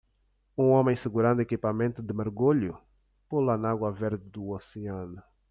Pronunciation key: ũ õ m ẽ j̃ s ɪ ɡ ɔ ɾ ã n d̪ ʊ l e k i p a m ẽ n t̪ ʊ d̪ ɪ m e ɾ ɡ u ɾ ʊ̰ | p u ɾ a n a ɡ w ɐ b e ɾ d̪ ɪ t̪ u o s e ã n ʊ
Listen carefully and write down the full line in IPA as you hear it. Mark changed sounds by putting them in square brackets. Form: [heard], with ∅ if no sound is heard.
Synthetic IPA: ũ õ m ẽ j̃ s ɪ ɡ [u] ɾ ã n d̪ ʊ [∅] e k i p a m ẽ n t̪ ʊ d̪ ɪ m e ɾ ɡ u [ʎ] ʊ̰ | p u [l] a n a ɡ w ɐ [v] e ɾ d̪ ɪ [d̪] u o s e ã n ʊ